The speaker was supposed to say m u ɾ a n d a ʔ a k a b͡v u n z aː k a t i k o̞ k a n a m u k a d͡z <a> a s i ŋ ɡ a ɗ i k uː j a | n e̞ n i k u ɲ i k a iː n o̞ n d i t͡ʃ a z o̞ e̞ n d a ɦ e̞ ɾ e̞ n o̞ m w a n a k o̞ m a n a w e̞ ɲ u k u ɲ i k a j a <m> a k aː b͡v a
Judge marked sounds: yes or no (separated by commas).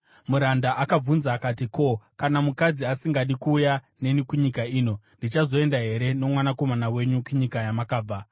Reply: no, yes